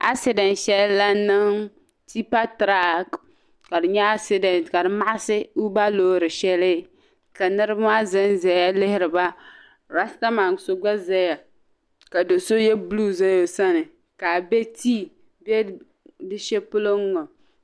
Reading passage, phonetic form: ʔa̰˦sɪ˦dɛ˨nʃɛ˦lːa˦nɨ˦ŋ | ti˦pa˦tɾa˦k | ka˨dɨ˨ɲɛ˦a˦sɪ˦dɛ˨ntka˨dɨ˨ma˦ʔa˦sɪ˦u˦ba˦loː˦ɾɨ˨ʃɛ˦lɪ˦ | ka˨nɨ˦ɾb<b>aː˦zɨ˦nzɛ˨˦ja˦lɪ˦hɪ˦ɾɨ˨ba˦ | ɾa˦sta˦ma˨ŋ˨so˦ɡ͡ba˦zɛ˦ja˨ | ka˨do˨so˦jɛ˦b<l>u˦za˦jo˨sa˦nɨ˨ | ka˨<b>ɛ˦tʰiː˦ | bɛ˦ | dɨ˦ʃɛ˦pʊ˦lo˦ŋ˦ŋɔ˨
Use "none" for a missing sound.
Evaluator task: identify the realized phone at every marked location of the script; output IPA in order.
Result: m, l, b

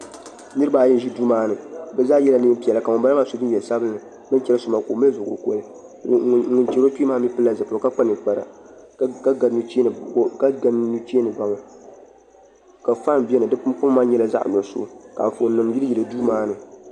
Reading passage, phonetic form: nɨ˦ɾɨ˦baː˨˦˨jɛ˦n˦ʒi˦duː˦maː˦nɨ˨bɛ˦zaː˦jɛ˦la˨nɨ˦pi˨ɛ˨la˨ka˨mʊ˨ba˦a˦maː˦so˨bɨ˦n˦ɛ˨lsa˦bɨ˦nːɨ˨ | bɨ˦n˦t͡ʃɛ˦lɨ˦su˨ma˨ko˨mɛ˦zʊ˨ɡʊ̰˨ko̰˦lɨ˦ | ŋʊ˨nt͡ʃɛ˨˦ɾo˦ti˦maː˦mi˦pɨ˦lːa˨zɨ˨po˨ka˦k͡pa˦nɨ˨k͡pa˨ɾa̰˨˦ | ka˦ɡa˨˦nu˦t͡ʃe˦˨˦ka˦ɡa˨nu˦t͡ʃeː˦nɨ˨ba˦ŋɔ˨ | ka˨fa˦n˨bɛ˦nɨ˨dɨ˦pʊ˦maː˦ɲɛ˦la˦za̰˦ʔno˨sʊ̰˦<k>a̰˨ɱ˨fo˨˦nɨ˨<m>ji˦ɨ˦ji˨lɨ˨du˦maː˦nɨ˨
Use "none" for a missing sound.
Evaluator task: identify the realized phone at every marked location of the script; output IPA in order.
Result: k, m

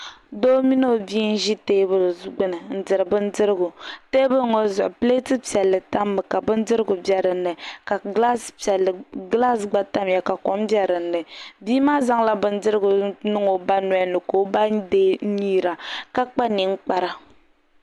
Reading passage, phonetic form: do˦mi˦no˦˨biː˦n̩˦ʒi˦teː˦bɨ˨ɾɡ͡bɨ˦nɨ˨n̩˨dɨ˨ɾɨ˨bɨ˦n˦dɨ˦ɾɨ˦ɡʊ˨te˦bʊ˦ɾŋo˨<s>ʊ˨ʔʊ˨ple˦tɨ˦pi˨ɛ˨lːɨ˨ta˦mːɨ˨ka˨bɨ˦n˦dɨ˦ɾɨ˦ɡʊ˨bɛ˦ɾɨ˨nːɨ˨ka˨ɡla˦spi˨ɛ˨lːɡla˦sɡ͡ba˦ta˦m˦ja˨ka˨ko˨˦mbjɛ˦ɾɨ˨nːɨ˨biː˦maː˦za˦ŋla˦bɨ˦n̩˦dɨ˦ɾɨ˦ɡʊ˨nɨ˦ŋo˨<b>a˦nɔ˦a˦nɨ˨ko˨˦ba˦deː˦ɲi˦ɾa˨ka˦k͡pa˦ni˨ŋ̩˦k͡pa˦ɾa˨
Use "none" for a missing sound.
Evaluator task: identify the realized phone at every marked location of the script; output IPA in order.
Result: z, b

